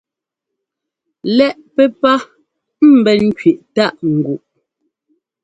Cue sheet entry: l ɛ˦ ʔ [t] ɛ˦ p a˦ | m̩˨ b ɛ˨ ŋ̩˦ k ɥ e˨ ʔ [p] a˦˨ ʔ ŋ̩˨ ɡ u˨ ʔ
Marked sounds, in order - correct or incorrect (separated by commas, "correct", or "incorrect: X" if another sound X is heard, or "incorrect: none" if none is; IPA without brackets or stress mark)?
incorrect: p, incorrect: t